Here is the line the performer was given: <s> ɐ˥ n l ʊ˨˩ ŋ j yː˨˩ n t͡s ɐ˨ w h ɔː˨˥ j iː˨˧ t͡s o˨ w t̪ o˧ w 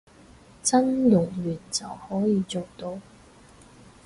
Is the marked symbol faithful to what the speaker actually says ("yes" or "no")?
no